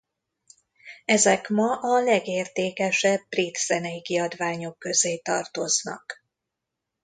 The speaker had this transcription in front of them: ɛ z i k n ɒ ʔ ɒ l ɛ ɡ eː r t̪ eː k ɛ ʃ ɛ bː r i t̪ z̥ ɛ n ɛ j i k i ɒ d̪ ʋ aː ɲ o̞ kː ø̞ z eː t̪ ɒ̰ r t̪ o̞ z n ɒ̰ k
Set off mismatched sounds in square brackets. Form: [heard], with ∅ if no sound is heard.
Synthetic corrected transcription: ɛ z [ɛ] k [m] ɒ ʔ ɒ l ɛ ɡ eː r t̪ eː k ɛ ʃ ɛ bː r i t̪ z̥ ɛ n ɛ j i k i ɒ d̪ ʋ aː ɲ o̞ kː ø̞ z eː t̪ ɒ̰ r t̪ o̞ z n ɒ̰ k

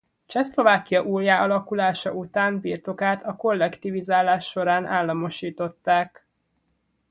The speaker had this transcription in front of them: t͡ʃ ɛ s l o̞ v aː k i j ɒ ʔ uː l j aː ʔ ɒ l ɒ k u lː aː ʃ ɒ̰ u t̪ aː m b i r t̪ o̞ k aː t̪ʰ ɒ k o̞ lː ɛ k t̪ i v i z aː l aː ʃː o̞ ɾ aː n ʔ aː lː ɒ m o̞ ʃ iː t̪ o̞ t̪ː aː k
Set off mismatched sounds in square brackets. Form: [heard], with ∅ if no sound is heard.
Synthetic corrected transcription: t͡ʃ ɛ s l o̞ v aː k i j ɒ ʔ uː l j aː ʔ ɒ l ɒ k u [l] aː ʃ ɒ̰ u t̪ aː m b i r t̪ o̞ k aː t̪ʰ ɒ k o̞ lː ɛ k t̪ i v i z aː l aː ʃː o̞ ɾ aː n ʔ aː lː ɒ m o̞ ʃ iː t̪ o̞ t̪ː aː k

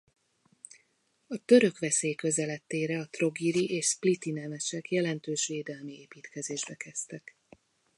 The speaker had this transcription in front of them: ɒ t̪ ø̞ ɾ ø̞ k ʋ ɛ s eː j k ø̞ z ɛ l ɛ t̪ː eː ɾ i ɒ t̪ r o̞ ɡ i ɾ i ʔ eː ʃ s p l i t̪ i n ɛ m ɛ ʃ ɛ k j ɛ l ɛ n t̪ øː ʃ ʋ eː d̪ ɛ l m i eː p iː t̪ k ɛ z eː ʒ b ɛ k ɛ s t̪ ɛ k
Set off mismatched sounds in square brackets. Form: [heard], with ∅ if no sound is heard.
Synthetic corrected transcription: ɒ t̪ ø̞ ɾ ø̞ k ʋ ɛ s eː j k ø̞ z ɛ l ɛ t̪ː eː ɾ [ɛ] ɒ t̪ r o̞ ɡ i ɾ i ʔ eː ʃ s p l i t̪ i n ɛ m ɛ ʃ ɛ k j ɛ l ɛ n t̪ øː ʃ ʋ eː d̪ ɛ l m i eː p iː t̪ k ɛ z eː ʒ b ɛ k ɛ s t̪ ɛ k

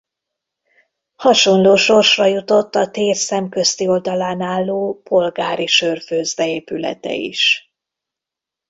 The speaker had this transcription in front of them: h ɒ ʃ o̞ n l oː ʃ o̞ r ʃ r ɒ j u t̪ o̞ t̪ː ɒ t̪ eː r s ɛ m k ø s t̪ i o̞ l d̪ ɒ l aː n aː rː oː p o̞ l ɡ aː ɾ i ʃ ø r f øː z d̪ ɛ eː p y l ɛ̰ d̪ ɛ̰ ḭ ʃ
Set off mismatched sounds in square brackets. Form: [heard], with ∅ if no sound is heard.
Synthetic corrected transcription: h ɒ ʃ o̞ n l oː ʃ o̞ r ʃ r ɒ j u t̪ o̞ t̪ː ɒ t̪ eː r s ɛ m k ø s t̪ i o̞ l d̪ ɒ l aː n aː [lː] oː p o̞ l ɡ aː ɾ i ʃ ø r f øː z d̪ ɛ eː p y l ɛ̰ [t̪] ɛ̰ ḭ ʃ

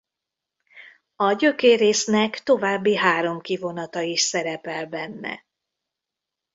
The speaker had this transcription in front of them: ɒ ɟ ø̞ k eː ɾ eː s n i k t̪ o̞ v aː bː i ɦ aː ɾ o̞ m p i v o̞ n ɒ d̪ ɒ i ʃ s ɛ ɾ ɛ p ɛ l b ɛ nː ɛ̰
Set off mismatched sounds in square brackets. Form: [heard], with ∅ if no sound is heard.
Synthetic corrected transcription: ɒ ɟ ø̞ k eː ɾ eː s n [ɛ] k t̪ o̞ v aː bː i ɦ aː ɾ o̞ m [k] i v o̞ n ɒ [t̪] ɒ i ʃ s ɛ ɾ ɛ p ɛ l b ɛ nː ɛ̰

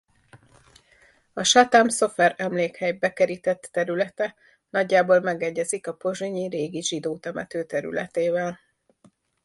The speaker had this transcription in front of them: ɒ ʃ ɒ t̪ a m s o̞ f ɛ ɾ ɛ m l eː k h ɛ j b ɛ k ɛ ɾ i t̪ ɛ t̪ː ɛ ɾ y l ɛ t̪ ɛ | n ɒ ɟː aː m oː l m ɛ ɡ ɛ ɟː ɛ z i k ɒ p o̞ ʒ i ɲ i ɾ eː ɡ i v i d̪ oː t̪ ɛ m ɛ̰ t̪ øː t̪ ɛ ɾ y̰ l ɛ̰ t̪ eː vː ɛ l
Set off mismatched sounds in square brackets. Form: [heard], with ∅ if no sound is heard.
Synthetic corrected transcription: ɒ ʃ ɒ t̪ a m s o̞ f ɛ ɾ ɛ m l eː k h ɛ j b ɛ k ɛ ɾ i t̪ ɛ t̪ː ɛ ɾ y l ɛ t̪ ɛ | n ɒ ɟː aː [b] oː l m ɛ ɡ ɛ ɟː ɛ z i k ɒ p o̞ ʒ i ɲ i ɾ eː ɡ i [ʒ] i d̪ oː t̪ ɛ m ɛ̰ t̪ øː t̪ ɛ ɾ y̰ l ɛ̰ t̪ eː [v] ɛ l

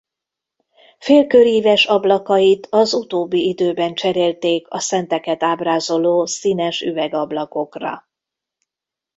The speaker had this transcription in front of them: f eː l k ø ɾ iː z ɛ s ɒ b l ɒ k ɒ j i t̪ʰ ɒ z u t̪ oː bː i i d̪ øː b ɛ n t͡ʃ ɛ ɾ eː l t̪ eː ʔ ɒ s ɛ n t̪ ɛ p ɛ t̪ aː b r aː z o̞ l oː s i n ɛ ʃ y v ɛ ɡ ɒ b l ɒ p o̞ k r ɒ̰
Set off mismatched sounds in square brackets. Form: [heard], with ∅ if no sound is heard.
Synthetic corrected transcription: f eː l k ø ɾ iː [v] ɛ [ʃ] ɒ b l ɒ k ɒ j i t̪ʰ ɒ z u t̪ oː bː i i d̪ øː b ɛ n t͡ʃ ɛ ɾ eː l t̪ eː [k] ɒ s ɛ n t̪ ɛ [k] ɛ t̪ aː b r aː z o̞ l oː s i n ɛ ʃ y v ɛ ɡ ɒ b l ɒ [k] o̞ k r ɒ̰

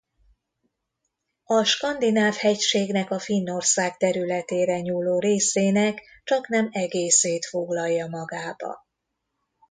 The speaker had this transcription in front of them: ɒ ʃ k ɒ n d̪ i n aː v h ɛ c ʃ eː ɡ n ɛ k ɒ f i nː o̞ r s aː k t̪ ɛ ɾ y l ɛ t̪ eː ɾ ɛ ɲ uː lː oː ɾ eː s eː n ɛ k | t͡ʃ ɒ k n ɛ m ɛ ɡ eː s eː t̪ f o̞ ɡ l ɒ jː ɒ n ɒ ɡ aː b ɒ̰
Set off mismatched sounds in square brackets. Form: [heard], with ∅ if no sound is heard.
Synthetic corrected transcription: ɒ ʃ k ɒ n d̪ i n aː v h ɛ c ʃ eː ɡ n ɛ k ɒ f i nː o̞ r s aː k t̪ ɛ ɾ y l ɛ t̪ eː ɾ ɛ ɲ uː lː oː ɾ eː s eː n ɛ k | t͡ʃ ɒ k n ɛ m ɛ ɡ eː s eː t̪ f o̞ ɡ l ɒ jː ɒ [m] ɒ ɡ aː b ɒ̰

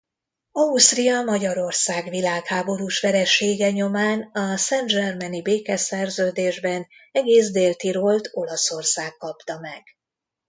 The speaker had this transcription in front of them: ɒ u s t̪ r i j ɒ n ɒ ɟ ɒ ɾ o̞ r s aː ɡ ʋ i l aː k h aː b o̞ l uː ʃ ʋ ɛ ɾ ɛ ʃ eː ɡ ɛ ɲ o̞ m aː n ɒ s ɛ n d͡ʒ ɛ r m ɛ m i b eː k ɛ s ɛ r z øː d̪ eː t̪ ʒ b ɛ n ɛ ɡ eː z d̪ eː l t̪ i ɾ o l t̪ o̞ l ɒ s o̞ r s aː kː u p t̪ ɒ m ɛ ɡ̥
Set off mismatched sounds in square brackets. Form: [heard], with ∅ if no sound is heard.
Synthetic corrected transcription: ɒ u s t̪ r i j ɒ [m] ɒ ɟ ɒ ɾ o̞ r s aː ɡ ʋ i l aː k h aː b o̞ [ɾ] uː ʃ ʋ ɛ ɾ ɛ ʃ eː ɡ ɛ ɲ o̞ m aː n ɒ s ɛ n d͡ʒ ɛ r m ɛ [n] i b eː k ɛ s ɛ r z øː d̪ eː [∅] ʒ b ɛ n ɛ ɡ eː z d̪ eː l t̪ i ɾ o l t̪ o̞ l ɒ s o̞ r s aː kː [ɒ] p t̪ ɒ m ɛ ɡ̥

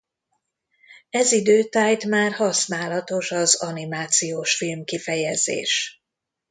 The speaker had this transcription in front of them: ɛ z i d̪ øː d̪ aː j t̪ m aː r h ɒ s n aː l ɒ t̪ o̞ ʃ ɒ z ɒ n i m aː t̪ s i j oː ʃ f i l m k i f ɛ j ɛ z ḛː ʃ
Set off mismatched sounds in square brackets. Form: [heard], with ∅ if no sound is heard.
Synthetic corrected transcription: ɛ z i d̪ øː [t̪] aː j t̪ m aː r h ɒ s n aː l ɒ t̪ o̞ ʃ ɒ z ɒ n i m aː t̪ s i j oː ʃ f i l m k i f ɛ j ɛ z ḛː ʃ

